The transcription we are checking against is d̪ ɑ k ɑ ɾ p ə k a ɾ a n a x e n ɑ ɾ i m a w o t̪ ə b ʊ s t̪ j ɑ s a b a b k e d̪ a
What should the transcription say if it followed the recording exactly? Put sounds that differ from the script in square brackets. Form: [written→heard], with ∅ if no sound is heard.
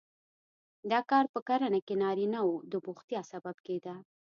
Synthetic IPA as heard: d̪ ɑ k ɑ ɾ p ə k a ɾ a n a [x→k] e n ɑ ɾ i [m→n] a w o [t̪→d̪] ə b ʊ [s→x] t̪ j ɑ s a b a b k e d̪ a